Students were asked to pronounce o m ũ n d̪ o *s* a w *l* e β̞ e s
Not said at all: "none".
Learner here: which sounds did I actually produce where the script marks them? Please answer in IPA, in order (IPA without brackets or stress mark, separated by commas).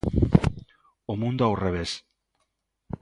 none, r